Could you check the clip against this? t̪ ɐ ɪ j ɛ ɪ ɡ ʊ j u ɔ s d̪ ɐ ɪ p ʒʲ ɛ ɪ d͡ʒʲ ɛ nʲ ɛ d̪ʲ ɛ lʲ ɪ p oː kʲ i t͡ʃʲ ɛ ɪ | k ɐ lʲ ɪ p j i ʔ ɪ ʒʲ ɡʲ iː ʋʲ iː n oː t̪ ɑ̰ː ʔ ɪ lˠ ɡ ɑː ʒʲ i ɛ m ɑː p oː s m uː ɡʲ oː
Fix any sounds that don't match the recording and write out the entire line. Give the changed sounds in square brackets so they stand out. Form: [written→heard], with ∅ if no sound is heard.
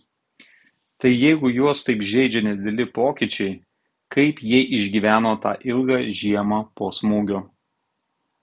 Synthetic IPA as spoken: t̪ ɐ ɪ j ɛ ɪ ɡ ʊ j u ɔ s [d̪→t̪] ɐ ɪ p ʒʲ ɛ ɪ d͡ʒʲ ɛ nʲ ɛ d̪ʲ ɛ lʲ ɪ p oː kʲ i t͡ʃʲ ɛ ɪ | k ɐ [lʲ→∅] ɪ p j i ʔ ɪ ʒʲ ɡʲ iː ʋʲ [iː→æː] n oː t̪ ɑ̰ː ʔ ɪ lˠ ɡ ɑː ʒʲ i ɛ m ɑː p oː s m uː ɡʲ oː